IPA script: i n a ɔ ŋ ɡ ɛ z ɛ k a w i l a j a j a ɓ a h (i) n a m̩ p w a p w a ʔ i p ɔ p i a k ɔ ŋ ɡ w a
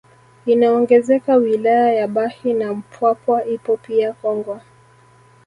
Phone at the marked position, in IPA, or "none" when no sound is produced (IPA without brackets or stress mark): i